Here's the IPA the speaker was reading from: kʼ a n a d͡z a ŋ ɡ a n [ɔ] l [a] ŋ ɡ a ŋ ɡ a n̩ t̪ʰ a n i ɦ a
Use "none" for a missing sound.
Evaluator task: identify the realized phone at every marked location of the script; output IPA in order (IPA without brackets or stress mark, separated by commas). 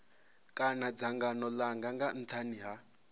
ɔ, a